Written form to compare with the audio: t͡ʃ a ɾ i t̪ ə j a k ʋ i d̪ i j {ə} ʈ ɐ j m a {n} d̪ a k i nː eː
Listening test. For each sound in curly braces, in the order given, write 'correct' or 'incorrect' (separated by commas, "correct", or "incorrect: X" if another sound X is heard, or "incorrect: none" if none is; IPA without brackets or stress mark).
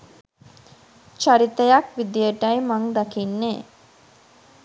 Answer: correct, incorrect: ŋ